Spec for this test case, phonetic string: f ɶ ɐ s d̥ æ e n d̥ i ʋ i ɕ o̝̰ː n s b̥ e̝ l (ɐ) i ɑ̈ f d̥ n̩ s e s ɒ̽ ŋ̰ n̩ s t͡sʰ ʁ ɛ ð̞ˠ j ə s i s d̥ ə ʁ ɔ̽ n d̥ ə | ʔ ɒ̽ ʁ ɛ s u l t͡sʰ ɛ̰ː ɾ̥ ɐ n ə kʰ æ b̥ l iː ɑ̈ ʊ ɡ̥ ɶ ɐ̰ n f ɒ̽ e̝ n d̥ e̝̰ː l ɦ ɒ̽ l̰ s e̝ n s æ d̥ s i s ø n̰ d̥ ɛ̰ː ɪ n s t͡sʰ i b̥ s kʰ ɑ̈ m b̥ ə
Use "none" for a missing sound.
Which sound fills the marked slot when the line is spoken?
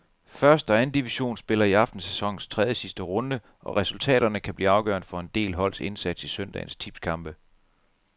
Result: ɐ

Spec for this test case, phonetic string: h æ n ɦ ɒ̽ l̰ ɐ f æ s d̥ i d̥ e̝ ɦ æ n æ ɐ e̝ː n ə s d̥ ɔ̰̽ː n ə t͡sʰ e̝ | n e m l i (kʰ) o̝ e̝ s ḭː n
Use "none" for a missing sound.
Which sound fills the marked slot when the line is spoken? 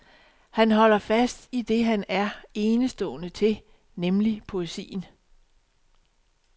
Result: pʰ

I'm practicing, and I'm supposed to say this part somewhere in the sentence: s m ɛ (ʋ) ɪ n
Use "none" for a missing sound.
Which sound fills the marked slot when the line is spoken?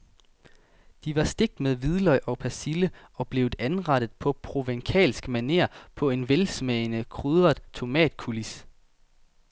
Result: none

